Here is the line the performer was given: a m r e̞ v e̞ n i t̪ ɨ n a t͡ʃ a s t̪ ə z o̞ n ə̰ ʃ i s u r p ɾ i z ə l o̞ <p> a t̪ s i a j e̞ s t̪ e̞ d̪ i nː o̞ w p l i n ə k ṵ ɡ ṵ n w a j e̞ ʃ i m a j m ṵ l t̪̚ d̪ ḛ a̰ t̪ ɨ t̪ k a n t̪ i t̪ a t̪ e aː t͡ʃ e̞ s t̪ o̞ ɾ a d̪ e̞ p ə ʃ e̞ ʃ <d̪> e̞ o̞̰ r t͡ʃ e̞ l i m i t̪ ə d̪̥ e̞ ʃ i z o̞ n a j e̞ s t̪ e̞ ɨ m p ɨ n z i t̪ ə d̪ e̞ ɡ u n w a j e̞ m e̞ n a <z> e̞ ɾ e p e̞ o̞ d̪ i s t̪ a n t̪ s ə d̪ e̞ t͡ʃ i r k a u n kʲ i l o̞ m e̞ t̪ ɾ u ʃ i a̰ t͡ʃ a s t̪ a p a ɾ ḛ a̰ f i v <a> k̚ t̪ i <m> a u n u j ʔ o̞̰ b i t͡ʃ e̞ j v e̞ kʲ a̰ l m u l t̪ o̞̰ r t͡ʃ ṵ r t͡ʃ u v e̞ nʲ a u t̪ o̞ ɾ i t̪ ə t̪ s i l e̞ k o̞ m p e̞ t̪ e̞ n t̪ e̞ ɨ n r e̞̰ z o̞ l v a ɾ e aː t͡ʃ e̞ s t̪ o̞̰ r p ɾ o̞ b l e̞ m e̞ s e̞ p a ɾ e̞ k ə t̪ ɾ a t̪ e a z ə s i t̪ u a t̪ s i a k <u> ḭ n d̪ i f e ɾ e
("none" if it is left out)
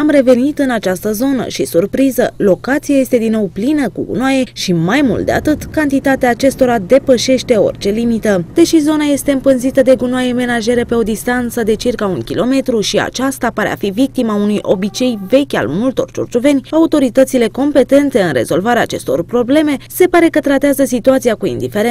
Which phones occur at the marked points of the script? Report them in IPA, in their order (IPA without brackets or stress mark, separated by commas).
k, t̪, ʒ, i, m, u